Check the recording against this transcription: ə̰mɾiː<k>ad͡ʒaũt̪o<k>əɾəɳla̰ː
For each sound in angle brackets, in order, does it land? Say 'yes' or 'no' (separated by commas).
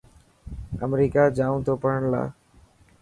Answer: yes, no